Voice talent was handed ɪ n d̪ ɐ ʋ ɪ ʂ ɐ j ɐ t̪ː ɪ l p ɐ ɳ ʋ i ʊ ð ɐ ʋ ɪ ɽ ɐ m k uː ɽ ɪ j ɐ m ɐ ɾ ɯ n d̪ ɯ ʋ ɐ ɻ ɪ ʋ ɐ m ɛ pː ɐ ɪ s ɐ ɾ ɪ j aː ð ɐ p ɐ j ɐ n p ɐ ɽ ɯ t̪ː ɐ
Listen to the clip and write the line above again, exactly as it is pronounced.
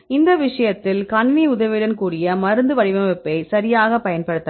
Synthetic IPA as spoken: ɪ n d̪ ɐ ʋ ɪ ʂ ɐ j ɐ t̪ː ɪ l k ɐ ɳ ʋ i ʊ ð ɐ ʋ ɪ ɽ ɐ n k uː ɽ ɪ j ɐ m ɐ ɾ ɯ n d̪ ɯ ʋ ɐ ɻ ɪ ʋ ɐ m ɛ pː ɐ ɪ s ɐ ɾ ɪ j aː ɣ ɐ p ɐ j ɐ n p ɐ ɽ ɯ t̪ː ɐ